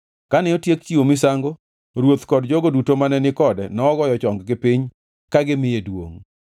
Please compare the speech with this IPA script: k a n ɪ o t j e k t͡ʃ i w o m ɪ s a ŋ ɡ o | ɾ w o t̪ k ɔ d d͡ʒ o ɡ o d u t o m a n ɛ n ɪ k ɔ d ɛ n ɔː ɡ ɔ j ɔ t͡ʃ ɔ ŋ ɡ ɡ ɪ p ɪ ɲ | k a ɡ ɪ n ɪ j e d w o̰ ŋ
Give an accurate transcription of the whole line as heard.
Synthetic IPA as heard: k a n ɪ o t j e k t͡ʃ i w o m ɪ s a ŋ ɡ o | ɾ w o t̪ k ɔ d d͡ʒ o ɡ o d u t o m a n ɛ n ɪ k ɔ d ɛ n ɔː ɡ ɔ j ɔ t͡ʃ ɔ ŋ ɡ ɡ ɪ p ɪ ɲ | k a ɡ ɪ m ɪ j e d w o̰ ŋ